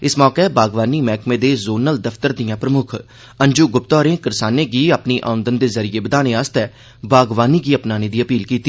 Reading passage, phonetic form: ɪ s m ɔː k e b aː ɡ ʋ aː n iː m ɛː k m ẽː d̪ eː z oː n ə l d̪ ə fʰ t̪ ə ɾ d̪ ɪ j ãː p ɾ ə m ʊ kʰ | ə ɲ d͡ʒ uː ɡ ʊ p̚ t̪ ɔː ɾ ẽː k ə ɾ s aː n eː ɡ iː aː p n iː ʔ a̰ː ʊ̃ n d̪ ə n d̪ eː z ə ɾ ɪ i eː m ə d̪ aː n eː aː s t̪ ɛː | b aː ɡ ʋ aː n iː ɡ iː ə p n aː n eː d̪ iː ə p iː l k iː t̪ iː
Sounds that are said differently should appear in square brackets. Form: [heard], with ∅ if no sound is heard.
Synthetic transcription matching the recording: ɪ s m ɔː k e b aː ɡ ʋ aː n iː m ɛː k m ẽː d̪ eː z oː n ə l d̪ ə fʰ t̪ ə ɾ d̪ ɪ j ãː p ɾ ə m ʊ kʰ | ə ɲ d͡ʒ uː ɡ ʊ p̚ t̪ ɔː ɾ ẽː k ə ɾ s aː n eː ɡ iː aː p n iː ʔ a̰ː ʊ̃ n d̪ ə n d̪ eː z ə ɾ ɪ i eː [b] ə d̪ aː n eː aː s t̪ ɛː | b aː ɡ ʋ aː n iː ɡ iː ə p n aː n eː d̪ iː ə p iː l k iː t̪ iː